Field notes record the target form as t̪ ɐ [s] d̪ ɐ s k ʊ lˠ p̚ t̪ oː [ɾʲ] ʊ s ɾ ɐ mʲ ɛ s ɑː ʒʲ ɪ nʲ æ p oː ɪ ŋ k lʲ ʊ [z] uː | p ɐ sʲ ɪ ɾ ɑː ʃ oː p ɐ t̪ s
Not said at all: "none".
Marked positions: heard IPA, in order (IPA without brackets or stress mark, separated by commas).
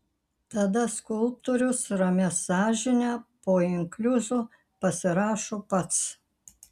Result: none, ɾʲ, z